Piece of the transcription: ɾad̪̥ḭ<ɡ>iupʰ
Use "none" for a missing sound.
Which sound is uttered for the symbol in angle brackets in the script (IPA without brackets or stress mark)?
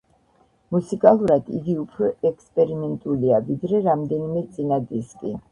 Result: ɡ